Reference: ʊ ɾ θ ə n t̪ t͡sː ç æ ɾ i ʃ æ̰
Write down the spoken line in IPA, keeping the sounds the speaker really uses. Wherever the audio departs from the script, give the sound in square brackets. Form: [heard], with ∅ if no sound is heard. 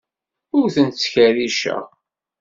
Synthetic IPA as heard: ʊ ɾ θ ə n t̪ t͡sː ç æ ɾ i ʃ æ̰